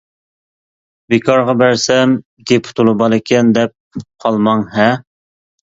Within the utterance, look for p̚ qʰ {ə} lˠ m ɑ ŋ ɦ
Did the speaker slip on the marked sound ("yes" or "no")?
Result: yes